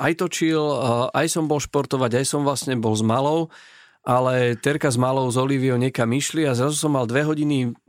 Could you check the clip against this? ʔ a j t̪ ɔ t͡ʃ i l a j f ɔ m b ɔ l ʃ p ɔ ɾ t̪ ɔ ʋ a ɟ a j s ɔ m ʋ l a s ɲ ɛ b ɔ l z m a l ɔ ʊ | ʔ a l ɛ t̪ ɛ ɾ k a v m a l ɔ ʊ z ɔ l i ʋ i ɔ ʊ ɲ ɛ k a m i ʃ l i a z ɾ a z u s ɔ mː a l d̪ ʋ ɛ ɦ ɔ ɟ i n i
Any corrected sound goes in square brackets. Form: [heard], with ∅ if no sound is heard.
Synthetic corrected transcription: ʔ a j t̪ ɔ t͡ʃ i l a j [s] ɔ m b ɔ l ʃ p ɔ ɾ t̪ ɔ ʋ a ɟ a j s ɔ m ʋ l a s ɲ ɛ b ɔ l z m a l ɔ ʊ | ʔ a l ɛ t̪ ɛ ɾ k a [z] m a l ɔ ʊ z ɔ l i ʋ i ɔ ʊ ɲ ɛ k a m i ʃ l i a z ɾ a z u s ɔ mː a l d̪ ʋ ɛ ɦ ɔ ɟ i n i